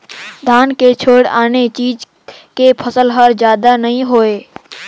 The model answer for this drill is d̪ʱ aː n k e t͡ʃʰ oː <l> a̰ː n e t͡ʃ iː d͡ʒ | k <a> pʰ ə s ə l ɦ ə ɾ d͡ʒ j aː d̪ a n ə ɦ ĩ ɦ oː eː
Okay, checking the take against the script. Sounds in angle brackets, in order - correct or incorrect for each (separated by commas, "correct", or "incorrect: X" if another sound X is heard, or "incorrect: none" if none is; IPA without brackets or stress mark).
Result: incorrect: ɽ, incorrect: e